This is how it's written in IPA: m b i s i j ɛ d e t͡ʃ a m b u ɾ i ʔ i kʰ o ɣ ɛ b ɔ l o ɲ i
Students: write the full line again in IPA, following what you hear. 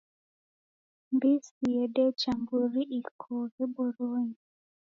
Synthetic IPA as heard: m b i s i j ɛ d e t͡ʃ a m b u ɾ i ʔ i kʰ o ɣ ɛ b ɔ ɾ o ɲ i